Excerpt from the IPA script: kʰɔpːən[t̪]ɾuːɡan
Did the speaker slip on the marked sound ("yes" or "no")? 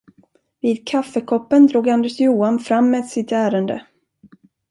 yes